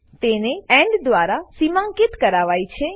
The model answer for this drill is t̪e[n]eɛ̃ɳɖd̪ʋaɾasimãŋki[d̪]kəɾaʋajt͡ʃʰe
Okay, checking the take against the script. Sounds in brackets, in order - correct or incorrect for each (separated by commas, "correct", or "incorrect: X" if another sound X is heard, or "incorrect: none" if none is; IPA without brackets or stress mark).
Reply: correct, incorrect: t̪